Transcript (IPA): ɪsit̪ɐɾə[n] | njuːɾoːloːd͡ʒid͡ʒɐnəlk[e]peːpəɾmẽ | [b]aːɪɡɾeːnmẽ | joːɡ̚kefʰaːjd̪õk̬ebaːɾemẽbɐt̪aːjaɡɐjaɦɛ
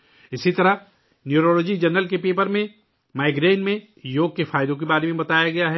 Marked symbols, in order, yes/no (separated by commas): no, yes, no